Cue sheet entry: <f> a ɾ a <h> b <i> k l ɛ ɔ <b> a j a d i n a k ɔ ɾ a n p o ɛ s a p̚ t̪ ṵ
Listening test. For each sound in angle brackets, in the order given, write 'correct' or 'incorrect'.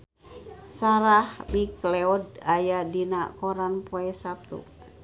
incorrect: s, correct, correct, incorrect: d

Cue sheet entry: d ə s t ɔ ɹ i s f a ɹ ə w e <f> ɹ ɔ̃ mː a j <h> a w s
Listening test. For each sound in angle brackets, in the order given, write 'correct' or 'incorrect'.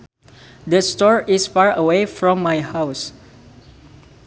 correct, correct

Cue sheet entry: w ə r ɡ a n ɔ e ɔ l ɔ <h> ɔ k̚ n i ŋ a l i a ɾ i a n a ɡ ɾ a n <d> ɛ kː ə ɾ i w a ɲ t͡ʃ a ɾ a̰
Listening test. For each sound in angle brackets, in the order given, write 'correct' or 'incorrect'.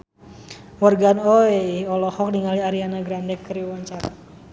correct, correct

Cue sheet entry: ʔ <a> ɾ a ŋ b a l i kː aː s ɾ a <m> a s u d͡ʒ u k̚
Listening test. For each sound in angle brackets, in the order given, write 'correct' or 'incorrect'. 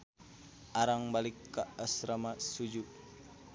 correct, correct

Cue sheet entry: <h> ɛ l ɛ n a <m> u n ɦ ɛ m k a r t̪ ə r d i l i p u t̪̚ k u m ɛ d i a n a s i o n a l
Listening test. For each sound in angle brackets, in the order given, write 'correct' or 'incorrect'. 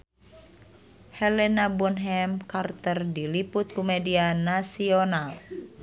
correct, incorrect: b

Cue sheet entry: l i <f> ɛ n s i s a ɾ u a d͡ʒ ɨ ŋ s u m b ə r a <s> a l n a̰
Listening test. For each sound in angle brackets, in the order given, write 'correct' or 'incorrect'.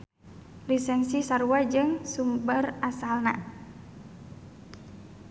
incorrect: s, correct

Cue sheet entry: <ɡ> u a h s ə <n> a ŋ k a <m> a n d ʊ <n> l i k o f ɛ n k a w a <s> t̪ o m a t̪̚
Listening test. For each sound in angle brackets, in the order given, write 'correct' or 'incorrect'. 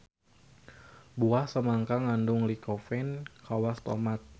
incorrect: b, incorrect: m, incorrect: ŋ, incorrect: ŋ, correct

